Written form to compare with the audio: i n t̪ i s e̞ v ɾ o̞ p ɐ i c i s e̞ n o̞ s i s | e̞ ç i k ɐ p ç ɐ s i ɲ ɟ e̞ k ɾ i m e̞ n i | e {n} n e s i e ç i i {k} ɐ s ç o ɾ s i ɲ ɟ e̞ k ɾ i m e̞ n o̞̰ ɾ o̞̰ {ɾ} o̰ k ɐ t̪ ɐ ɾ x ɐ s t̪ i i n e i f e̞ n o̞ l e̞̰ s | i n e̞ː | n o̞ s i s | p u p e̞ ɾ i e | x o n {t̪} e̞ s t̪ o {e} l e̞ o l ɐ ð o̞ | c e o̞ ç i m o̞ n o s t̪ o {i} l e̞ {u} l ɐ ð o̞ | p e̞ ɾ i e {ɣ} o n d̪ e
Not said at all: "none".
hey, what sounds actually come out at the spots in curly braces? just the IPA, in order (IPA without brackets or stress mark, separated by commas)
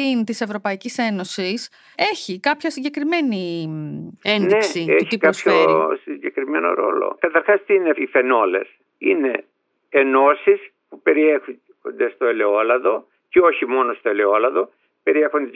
n, k, l, d̪, e, e, o, x